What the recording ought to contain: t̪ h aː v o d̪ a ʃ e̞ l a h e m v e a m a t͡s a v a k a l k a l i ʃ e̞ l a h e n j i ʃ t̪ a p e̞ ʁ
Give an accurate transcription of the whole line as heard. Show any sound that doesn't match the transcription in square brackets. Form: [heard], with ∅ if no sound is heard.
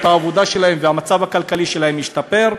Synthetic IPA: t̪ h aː v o d̪ a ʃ e̞ l a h e m v e a m a t͡s a v a k a l k a l i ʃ e̞ l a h e [m] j i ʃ t̪ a p e̞ ʁ